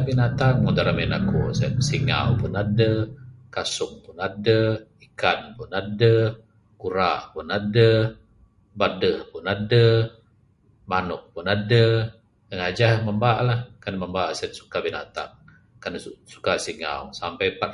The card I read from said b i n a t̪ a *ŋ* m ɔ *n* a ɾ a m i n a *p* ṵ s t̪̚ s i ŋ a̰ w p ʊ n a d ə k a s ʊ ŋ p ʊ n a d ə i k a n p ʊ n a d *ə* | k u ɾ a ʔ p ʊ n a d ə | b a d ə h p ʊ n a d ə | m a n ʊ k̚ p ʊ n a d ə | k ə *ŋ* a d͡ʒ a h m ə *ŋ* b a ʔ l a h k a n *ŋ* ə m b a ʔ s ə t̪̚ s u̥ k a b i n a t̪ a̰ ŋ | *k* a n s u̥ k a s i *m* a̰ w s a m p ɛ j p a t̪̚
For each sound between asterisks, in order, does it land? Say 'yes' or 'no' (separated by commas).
yes, no, no, yes, yes, no, no, yes, no